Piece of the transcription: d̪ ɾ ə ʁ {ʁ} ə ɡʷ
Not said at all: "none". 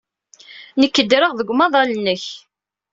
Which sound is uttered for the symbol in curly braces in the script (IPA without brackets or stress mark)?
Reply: ð